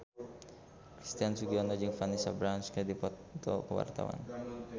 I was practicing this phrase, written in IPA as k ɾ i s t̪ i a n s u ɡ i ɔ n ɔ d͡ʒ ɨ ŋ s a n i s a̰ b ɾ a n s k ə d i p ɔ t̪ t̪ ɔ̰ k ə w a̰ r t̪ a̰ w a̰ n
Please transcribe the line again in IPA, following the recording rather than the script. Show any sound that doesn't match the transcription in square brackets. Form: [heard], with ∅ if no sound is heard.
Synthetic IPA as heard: k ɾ i s t̪ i a n s u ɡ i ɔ n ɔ d͡ʒ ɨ ŋ [f] a n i s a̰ b ɾ a n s k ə d i p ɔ t̪ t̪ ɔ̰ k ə w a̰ r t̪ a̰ w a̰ n